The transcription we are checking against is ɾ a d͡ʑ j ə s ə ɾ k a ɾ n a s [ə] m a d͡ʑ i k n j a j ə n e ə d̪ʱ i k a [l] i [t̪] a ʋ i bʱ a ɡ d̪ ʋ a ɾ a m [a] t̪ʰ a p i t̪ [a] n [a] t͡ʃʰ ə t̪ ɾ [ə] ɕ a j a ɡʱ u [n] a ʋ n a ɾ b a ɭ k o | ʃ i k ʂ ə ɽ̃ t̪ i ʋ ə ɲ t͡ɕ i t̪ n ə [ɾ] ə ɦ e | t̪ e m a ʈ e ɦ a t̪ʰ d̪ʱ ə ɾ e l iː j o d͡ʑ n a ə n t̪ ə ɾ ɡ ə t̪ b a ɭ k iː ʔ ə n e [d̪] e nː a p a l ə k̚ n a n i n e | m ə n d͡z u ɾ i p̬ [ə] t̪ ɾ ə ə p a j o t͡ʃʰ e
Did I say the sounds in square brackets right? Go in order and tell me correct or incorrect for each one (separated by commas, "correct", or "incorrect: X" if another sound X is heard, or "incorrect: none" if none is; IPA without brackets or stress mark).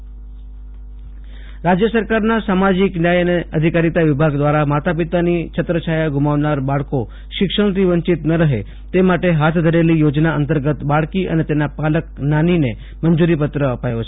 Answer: incorrect: a, incorrect: ɾ, correct, correct, correct, incorrect: i, correct, incorrect: m, correct, incorrect: t̪, correct